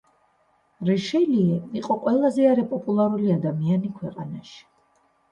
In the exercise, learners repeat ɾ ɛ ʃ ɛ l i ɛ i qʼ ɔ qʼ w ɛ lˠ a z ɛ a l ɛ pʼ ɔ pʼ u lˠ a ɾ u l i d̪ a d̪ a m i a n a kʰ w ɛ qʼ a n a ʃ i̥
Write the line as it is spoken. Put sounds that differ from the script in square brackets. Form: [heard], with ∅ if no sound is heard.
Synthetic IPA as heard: ɾ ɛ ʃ ɛ l i ɛ i qʼ ɔ qʼ w ɛ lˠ a z ɛ a [ɾ] ɛ pʼ ɔ pʼ u lˠ a ɾ u l i [∅] a d̪ a m i a n [i] kʰ w ɛ qʼ a n a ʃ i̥